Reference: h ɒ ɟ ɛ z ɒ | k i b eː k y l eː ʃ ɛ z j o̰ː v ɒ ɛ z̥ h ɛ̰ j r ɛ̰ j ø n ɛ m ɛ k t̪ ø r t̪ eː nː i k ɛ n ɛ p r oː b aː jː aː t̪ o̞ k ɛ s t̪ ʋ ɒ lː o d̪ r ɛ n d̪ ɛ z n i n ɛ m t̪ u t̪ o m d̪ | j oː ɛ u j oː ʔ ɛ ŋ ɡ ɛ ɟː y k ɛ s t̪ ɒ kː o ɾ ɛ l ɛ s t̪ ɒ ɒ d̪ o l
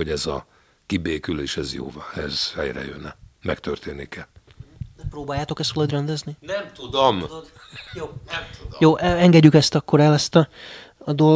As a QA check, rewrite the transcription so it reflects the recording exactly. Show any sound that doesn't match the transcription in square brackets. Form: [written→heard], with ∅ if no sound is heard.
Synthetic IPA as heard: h [ɒ→o] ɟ ɛ z ɒ | k i b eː k y l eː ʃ ɛ z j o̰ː v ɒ ɛ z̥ h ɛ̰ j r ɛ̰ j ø n ɛ m ɛ k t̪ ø r t̪ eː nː i k ɛ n ɛ p r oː b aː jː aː t̪ o̞ k ɛ s t̪ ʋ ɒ [lː→l] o d̪ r ɛ n d̪ ɛ z n i n ɛ m t̪ u [t̪→d̪] o m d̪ | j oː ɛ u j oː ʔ ɛ ŋ ɡ ɛ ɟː y k ɛ s t̪ ɒ kː o ɾ ɛ l ɛ s t̪ ɒ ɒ d̪ o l